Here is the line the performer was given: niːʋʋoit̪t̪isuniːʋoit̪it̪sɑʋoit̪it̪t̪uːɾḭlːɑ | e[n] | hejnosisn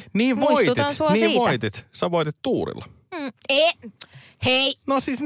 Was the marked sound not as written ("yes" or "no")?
yes